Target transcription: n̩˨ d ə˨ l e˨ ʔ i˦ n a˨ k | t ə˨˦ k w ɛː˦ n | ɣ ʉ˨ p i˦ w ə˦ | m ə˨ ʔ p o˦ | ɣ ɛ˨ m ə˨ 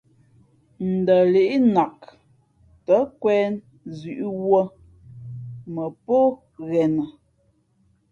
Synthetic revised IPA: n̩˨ d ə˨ l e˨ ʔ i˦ n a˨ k | t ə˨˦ k w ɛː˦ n | z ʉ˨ ʔ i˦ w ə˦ | m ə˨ p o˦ | ɣ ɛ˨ n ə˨